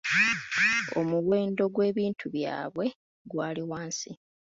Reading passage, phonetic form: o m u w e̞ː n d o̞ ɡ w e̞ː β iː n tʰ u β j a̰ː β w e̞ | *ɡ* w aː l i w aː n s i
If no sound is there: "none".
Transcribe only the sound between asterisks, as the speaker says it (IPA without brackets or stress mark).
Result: ɡ